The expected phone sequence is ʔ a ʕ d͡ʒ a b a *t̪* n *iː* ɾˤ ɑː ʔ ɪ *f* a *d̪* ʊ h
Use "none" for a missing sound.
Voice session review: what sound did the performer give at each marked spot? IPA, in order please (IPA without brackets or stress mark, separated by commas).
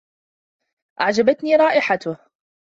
t̪, iː, ħ, t̪